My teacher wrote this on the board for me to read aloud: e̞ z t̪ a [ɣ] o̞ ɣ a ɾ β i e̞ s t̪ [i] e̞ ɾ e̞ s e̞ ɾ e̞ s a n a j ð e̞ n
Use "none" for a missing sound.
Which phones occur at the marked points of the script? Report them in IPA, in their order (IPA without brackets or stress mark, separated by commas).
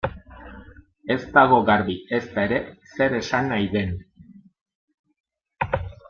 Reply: ɣ, a